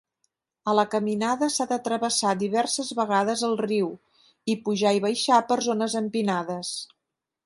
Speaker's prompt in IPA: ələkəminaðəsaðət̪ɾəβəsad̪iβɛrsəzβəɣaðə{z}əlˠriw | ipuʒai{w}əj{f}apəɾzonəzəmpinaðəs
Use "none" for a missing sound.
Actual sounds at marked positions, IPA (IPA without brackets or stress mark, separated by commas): z, β, ʃ